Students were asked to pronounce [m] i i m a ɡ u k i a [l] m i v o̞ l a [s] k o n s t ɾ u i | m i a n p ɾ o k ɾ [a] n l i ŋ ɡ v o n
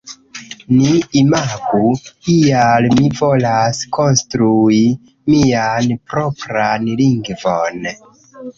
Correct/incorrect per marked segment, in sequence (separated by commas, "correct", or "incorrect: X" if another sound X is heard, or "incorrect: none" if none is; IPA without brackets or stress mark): incorrect: n, correct, correct, correct